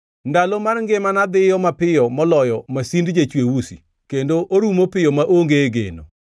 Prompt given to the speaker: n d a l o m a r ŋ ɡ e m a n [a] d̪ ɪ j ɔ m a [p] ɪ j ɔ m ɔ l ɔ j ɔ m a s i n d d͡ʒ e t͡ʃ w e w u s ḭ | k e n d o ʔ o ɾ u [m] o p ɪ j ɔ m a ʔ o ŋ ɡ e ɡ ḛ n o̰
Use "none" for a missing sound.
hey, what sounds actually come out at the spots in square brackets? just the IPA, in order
a, p, m

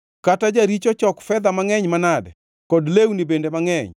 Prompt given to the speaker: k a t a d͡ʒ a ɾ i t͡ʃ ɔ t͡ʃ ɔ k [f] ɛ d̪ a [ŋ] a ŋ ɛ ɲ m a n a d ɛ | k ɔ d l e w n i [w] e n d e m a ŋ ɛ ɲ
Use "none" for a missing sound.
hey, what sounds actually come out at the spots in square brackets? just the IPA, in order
f, m, b

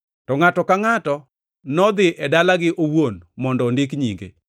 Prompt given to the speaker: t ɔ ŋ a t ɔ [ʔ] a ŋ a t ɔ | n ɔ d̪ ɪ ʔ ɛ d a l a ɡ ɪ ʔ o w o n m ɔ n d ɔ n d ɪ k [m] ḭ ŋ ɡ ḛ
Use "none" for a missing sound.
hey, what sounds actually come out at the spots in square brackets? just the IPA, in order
k, ɲ

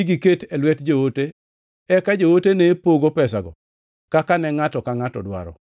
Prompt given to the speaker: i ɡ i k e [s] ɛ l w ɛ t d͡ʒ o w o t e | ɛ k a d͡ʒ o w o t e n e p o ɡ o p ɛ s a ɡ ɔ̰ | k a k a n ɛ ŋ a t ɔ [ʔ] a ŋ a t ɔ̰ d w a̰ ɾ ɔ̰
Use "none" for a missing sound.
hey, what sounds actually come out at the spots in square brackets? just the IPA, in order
t, k

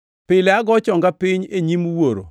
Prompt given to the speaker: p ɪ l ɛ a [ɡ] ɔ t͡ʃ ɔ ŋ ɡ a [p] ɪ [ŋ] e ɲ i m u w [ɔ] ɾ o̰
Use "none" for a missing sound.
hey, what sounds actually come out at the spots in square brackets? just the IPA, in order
ɡ, p, ɲ, o

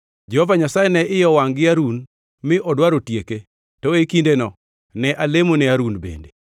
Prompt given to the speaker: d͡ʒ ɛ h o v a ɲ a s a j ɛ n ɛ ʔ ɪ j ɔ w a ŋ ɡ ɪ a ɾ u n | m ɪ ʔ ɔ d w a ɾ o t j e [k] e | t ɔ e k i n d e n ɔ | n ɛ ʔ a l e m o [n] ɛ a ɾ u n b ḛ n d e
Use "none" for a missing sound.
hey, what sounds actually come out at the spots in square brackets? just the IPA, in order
k, n

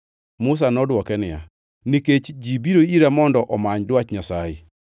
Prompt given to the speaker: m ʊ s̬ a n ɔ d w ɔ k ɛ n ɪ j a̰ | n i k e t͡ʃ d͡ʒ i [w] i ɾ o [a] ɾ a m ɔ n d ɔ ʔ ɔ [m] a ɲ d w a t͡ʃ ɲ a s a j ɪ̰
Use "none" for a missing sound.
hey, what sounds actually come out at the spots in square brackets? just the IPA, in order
b, i, m

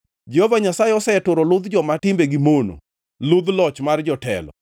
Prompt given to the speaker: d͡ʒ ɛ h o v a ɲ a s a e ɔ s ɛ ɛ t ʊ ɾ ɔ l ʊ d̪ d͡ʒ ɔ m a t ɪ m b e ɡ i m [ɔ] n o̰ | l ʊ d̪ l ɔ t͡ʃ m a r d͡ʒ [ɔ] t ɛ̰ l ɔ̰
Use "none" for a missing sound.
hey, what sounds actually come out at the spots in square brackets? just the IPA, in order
o, ɔ

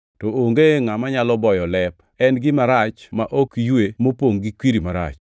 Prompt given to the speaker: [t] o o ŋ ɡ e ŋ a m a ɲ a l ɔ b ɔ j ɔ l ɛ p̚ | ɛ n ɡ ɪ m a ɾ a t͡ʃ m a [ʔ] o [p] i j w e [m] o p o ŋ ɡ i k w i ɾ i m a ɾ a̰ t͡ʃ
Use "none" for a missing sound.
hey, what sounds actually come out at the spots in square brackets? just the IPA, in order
t, ʔ, k, m

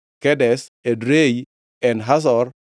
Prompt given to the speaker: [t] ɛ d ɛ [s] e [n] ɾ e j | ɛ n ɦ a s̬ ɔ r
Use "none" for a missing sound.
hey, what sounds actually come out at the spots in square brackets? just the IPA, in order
k, s, d

